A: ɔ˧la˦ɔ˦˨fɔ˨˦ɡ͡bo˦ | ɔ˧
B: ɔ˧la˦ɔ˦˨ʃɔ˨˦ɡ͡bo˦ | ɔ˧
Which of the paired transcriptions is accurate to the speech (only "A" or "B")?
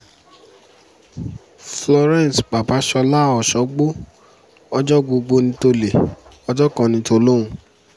B